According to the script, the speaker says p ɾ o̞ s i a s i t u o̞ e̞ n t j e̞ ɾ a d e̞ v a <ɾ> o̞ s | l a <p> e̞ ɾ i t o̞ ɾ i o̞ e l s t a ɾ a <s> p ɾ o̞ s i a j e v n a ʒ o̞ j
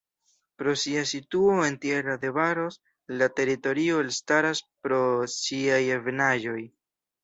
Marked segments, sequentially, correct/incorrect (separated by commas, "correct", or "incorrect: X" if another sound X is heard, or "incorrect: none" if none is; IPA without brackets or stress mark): correct, incorrect: t, correct